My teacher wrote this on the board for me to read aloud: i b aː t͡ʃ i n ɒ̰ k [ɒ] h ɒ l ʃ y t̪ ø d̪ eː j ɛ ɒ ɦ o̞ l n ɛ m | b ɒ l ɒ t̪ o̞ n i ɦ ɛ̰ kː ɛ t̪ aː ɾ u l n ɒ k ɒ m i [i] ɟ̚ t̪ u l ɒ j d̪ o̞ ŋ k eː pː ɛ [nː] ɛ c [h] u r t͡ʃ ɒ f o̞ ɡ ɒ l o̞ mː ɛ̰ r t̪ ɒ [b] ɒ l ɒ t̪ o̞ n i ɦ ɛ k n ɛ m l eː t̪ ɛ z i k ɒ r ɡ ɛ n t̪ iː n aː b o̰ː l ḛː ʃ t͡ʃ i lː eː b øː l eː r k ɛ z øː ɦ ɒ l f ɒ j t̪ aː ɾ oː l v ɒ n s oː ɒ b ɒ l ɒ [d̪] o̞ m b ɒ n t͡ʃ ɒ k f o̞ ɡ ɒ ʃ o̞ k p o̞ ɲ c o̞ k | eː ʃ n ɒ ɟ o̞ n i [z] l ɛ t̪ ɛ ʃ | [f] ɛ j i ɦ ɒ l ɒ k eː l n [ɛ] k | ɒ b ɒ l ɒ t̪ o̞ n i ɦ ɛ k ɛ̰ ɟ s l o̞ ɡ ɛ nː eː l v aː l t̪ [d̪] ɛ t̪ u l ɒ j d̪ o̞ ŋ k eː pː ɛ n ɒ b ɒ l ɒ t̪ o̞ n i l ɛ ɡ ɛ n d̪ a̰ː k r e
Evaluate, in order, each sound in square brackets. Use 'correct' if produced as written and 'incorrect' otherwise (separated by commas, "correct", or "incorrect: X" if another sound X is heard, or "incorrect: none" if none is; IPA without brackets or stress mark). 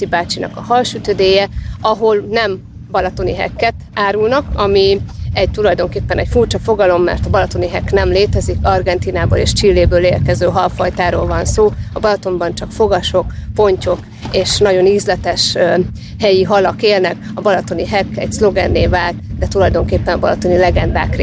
correct, incorrect: ɛ, incorrect: n, incorrect: f, correct, incorrect: t̪, correct, incorrect: h, correct, correct